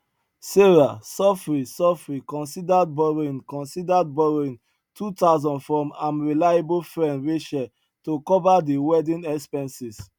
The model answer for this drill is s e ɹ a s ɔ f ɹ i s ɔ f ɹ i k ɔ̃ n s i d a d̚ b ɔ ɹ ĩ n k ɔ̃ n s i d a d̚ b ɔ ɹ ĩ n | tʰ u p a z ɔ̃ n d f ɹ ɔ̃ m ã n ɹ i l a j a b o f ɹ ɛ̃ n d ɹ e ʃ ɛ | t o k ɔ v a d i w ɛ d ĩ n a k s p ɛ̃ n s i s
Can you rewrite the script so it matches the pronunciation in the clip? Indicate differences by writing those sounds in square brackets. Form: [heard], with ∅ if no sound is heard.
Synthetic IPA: s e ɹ a s ɔ f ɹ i s ɔ f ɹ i k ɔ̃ n s i d a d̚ b ɔ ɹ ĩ n k ɔ̃ n s i d a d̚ b ɔ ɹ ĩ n | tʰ u [t] a z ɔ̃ n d f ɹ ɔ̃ m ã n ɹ i l a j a b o f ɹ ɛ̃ n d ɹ e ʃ ɛ | t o k ɔ v a d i w ɛ d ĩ n [ɛ] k s p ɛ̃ n s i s

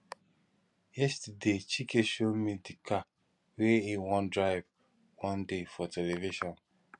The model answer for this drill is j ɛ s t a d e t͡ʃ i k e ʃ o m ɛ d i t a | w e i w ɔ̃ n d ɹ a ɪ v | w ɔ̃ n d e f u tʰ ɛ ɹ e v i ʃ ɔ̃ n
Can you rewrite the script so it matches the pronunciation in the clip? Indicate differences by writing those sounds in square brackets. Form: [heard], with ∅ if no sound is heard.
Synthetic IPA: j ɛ s t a d e t͡ʃ i k e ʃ o m [i] d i [k] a | w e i w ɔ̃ n d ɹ a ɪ v | w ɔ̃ n d e f [ɔ] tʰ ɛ [l] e v i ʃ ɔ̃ n

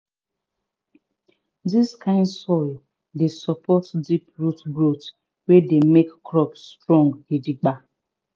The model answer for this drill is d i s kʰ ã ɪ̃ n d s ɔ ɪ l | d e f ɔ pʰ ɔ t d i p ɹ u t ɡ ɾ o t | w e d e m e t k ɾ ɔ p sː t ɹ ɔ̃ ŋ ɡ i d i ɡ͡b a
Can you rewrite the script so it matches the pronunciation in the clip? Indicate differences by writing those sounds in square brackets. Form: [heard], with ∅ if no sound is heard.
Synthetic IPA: d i s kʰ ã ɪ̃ n d s ɔ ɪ l | d e [s] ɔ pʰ ɔ t d i p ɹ u t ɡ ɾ o t | w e d e m e [k] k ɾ ɔ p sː t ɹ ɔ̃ ŋ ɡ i d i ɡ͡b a

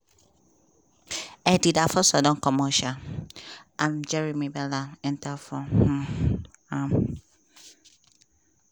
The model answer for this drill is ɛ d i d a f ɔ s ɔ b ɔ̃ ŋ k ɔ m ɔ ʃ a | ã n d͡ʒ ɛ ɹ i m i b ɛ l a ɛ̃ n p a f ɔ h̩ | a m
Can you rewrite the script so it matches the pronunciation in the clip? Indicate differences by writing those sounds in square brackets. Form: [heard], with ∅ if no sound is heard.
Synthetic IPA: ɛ d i d a f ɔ s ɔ [d] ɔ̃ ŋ k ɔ m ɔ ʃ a | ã [m] d͡ʒ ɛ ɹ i m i b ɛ l a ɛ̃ n [t] a f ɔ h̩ | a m

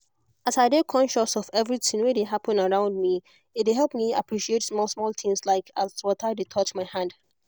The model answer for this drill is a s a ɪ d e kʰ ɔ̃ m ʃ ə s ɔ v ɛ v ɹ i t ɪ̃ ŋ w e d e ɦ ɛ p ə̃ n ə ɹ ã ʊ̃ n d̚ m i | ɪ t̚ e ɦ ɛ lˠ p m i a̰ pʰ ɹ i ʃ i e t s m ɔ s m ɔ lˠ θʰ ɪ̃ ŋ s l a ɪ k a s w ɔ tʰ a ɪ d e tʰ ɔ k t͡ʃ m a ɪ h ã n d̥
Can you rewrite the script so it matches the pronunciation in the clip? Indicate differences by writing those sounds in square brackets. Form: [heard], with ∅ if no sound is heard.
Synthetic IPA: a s a ɪ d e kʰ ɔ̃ [n] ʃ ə s ɔ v ɛ v ɹ i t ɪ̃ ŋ w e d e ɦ [a] p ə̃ n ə ɹ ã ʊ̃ n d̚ m i | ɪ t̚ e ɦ ɛ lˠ p m i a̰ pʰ ɹ i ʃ i e t s m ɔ s m ɔ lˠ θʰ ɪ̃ ŋ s l a ɪ k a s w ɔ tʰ a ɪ d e tʰ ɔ [∅] t͡ʃ m a ɪ h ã n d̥

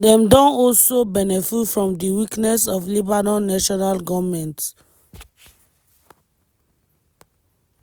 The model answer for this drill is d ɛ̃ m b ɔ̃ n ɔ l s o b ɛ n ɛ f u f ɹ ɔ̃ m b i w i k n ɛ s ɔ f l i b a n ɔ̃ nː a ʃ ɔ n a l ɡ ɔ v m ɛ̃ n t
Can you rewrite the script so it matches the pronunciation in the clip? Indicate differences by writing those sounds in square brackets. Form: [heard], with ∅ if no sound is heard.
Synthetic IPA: d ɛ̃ m [d] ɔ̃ n ɔ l s o b ɛ n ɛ f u f ɹ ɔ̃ m [d] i w i k n ɛ s ɔ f l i b a n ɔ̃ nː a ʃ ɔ n a l ɡ ɔ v m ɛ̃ n t

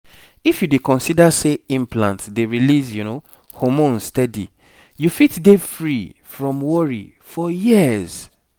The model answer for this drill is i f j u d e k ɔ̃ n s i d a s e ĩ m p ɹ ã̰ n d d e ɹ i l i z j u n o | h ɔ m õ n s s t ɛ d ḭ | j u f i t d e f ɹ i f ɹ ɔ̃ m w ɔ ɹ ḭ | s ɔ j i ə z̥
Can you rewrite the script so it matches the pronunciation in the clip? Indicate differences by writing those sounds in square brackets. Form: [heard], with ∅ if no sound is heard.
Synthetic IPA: i f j u d e k ɔ̃ n s i d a s e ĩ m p [l] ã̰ n [t] d e ɹ i l i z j u n o | h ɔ m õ n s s t ɛ d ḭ | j u f i t d e f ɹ i f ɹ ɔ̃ m w ɔ ɹ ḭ | [f] ɔ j i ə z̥

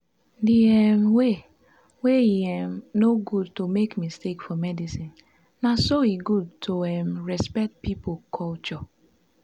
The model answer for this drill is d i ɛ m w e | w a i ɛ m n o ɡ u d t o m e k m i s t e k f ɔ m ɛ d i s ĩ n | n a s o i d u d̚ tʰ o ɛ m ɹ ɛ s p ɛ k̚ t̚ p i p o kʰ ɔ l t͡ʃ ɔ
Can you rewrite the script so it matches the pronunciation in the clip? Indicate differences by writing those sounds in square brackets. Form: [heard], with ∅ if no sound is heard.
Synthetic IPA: d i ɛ m w e | w [e] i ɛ m n o ɡ u d t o m e k m i s t e k f ɔ m ɛ d i s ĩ n | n a s o i [ɡ] u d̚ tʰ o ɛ m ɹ ɛ s p ɛ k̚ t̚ p i p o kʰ ɔ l t͡ʃ ɔ

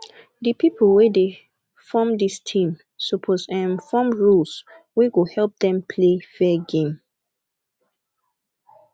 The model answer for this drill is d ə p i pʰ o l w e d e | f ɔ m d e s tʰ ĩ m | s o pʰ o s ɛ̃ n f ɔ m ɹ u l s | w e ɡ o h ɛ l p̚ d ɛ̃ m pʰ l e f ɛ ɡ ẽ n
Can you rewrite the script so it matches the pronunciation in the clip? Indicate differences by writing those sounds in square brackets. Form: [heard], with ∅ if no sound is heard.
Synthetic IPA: d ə p i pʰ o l w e d e | f ɔ m d [i] s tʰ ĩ m | s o pʰ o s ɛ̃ n f ɔ m ɹ u l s | w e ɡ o h ɛ l p̚ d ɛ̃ m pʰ l e f ɛ ɡ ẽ [m]

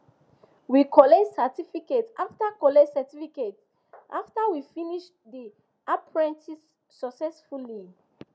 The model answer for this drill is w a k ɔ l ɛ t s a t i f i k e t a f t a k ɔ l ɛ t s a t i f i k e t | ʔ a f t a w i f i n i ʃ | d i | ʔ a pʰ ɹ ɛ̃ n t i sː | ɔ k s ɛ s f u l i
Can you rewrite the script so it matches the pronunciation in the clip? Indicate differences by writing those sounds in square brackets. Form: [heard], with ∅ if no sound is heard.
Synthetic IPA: w [i] k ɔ l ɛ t s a t i f i k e t a f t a k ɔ l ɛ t s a t i f i k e t | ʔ a f t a w i f i n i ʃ | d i | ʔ a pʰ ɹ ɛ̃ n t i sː | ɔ k s ɛ s f u l i

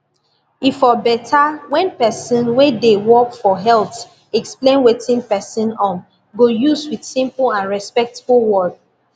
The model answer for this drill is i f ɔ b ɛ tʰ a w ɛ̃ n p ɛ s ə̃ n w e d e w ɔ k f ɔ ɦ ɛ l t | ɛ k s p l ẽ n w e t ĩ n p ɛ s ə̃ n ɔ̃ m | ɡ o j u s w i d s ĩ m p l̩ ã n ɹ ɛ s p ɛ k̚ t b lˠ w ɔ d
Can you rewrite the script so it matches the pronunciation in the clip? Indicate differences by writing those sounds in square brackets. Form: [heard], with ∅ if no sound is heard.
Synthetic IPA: i f ɔ b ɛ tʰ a w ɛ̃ n p ɛ s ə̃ n w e d e w ɔ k f ɔ ɦ ɛ l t | ɛ k s p l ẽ n w e t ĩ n p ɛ s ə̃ n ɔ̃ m | ɡ o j u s w i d s ĩ m p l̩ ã n ɹ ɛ s p ɛ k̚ t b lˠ w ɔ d

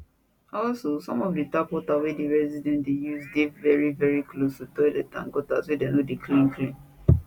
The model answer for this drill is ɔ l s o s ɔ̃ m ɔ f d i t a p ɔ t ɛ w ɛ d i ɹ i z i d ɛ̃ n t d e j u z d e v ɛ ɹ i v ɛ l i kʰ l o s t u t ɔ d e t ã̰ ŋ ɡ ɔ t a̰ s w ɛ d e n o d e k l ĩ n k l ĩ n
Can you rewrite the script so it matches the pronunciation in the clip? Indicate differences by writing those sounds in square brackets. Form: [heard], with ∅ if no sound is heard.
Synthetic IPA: ɔ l s o s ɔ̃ m ɔ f d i t a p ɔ t [a] w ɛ d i ɹ [ɛ] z i d ɛ̃ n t d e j u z d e v ɛ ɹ i v ɛ [ɹ] i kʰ l o s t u t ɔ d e t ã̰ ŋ ɡ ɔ t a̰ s w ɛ d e n o d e k l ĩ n k l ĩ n

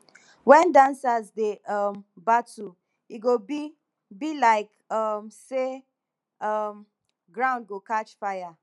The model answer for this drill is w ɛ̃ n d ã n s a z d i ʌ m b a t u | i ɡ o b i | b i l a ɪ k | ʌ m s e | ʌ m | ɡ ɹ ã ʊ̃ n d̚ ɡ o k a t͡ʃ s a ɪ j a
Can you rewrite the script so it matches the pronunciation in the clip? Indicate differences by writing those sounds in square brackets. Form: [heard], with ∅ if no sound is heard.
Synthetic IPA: w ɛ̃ n d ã n s a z d [e] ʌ m b a t u | i ɡ o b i | b i l a ɪ k | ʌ m s e | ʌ m | ɡ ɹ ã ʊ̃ n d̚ ɡ o k a t͡ʃ [f] a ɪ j a

